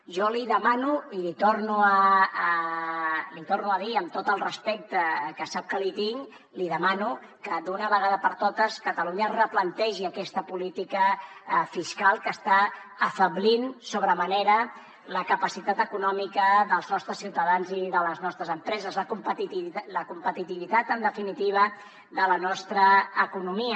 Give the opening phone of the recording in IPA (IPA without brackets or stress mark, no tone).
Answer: ʒ